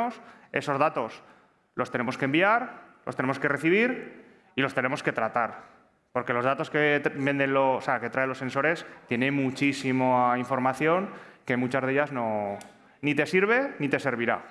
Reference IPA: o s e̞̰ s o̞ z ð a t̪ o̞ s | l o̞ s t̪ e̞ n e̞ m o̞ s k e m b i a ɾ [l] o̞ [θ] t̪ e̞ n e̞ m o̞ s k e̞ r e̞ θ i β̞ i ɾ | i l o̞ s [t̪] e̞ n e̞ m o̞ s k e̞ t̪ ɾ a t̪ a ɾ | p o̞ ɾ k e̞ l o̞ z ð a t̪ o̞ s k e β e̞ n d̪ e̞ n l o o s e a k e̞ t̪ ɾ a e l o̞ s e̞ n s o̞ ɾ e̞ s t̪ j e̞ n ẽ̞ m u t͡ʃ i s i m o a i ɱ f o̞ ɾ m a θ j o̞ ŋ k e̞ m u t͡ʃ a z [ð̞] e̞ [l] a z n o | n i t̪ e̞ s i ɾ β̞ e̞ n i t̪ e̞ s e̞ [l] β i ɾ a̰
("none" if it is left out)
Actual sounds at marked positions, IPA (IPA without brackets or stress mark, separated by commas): l, s, t̪, ð̞, ʎ, ɾ